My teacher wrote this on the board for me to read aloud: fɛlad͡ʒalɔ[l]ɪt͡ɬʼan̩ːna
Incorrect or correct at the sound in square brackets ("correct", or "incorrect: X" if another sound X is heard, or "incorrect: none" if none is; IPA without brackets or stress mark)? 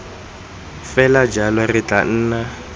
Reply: incorrect: r